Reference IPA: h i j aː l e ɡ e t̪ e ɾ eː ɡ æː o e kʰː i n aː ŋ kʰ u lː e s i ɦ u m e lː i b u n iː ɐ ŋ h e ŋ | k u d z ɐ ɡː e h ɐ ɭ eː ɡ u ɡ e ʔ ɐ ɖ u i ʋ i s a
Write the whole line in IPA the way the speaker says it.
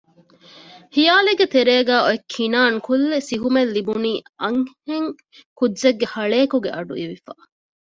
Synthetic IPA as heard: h i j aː l e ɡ e t̪ e ɾ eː ɡ æː o e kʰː i n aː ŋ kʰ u lː e s i ɦ u m e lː i b u n iː ɐ ŋ h e ŋ | k u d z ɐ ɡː e h ɐ ɭ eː k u ɡ e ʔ ɐ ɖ u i ʋ i f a